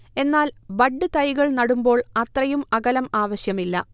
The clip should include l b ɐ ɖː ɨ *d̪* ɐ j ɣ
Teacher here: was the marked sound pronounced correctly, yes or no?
no